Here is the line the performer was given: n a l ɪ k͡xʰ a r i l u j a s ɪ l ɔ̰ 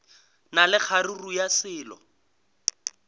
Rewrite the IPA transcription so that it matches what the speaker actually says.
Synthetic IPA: n a l ɪ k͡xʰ a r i r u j a s ɪː l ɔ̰